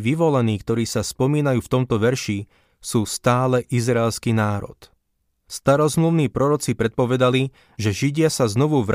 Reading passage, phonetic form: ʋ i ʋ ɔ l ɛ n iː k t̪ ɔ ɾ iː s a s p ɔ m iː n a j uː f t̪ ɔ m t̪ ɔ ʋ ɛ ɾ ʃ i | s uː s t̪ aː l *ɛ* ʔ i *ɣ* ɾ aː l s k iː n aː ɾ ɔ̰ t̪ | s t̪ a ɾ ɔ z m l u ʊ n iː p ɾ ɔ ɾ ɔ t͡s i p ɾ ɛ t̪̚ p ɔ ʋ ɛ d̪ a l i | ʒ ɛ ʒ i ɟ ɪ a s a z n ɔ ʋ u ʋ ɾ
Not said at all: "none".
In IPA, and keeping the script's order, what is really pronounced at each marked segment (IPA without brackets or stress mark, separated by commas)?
ɛ, z